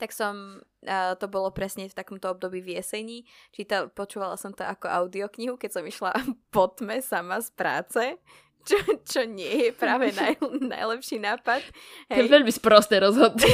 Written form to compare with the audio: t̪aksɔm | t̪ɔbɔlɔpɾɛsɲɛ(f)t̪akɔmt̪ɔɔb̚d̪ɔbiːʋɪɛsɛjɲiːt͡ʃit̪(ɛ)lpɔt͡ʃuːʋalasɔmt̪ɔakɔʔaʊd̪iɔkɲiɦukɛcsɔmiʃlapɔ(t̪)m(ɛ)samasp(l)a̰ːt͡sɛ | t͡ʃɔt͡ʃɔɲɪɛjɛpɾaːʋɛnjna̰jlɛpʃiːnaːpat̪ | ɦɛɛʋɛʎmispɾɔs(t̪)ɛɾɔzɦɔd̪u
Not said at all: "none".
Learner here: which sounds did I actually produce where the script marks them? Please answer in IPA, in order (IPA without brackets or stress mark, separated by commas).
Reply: f, a, t̪, ɛ, ɾ, t̪